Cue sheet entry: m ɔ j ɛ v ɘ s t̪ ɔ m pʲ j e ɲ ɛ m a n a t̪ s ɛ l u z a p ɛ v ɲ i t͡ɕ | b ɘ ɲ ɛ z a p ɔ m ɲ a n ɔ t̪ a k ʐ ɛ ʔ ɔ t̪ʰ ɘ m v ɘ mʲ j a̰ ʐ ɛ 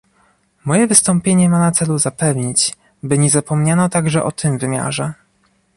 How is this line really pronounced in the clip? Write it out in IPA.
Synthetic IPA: m ɔ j ɛ v ɘ s t̪ ɔ m pʲ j e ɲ ɛ m a n a t̪ s ɛ l u z a p ɛ v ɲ i t͡ɕ | b ɘ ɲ ɛ z a p ɔ m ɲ a n ɔ t̪ a ɡ ʐ ɛ ʔ ɔ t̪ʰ ɘ m v ɘ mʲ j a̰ ʐ ɛ